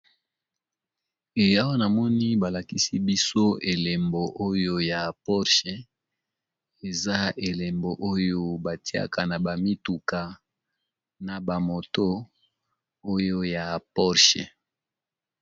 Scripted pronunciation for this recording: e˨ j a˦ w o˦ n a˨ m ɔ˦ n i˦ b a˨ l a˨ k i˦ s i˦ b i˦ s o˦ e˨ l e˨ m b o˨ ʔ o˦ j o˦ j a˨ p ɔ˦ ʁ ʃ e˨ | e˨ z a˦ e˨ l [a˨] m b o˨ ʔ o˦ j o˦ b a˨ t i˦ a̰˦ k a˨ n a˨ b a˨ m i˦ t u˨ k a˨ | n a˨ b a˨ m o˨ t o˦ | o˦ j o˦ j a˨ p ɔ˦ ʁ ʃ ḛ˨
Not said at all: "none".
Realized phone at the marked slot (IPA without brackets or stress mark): e˨